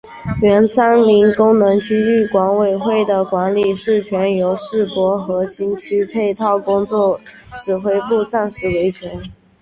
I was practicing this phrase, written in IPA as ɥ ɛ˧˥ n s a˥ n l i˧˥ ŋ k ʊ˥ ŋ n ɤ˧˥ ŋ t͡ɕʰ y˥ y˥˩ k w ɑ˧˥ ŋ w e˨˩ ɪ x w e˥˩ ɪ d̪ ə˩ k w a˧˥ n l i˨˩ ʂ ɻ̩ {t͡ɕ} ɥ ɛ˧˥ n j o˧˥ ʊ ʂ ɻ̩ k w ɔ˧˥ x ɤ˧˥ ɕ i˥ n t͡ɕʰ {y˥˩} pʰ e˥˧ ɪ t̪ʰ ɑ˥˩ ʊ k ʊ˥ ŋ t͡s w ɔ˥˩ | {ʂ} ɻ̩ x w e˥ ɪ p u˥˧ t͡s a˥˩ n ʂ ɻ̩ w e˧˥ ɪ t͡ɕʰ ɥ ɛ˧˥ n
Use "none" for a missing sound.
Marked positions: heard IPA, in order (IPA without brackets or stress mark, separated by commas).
t͡ɕʰ, y˥, ʈ͡ʂ